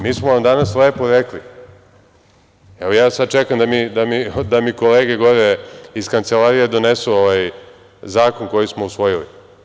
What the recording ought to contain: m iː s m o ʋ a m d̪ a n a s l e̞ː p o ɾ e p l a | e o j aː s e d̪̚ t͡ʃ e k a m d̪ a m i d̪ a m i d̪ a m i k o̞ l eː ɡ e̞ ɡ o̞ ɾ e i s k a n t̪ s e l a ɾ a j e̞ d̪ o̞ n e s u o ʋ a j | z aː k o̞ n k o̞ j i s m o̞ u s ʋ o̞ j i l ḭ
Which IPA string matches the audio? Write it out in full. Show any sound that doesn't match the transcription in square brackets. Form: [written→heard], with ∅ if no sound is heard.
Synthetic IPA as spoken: m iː s m o ʋ a m d̪ a n a s l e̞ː p o ɾ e [p→k] l [a→i] | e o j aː s [e→a] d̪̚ t͡ʃ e k a m d̪ a m i d̪ a m i d̪ a m i k o̞ l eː ɡ e̞ ɡ o̞ ɾ e i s k a n t̪ s e l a ɾ [a→i] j e̞ d̪ o̞ n e s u o ʋ a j | z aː k o̞ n k o̞ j i s m o̞ u s ʋ o̞ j i l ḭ